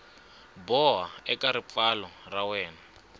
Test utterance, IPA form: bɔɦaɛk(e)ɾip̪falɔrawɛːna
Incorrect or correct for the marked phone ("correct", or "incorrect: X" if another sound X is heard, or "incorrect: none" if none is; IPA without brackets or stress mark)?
incorrect: a